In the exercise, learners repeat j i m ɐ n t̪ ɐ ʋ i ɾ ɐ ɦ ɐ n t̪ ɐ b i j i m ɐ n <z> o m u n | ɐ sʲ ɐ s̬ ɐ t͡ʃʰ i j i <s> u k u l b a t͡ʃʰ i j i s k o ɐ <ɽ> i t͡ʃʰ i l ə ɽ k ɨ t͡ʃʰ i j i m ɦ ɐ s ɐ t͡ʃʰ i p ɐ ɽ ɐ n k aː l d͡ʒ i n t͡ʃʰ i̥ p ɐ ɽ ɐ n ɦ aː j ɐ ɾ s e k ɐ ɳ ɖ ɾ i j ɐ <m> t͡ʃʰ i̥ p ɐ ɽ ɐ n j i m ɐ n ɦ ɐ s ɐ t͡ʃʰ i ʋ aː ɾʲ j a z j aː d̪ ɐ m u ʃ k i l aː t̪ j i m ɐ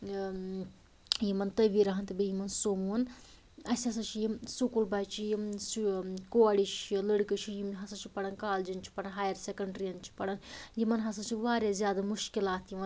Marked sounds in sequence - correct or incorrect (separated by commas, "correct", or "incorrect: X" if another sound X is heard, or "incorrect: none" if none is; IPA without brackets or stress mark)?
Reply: incorrect: s, correct, correct, incorrect: n